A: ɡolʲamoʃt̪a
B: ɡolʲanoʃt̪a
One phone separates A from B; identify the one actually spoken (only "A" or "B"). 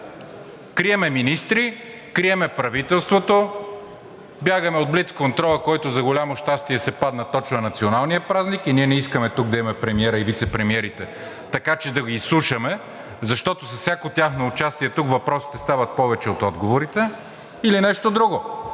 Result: A